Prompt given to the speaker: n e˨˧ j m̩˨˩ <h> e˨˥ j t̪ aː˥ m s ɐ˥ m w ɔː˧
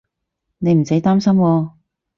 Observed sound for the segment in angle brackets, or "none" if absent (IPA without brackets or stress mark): s